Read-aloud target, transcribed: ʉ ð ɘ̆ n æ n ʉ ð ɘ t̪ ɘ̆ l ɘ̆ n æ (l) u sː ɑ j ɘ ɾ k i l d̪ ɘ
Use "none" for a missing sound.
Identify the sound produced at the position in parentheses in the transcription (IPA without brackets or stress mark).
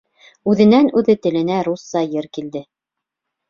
ɾ